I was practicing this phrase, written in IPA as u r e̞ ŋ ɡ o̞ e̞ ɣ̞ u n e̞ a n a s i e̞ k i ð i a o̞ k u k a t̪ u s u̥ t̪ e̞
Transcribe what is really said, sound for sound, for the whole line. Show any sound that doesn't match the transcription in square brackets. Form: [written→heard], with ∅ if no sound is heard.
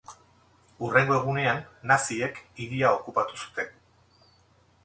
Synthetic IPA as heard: u r e̞ ŋ ɡ o̞ e̞ ɣ̞ u n e̞ a [n→nː] a s i e̞ k i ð i a o̞ k u [k→p] a t̪ u s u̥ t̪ e̞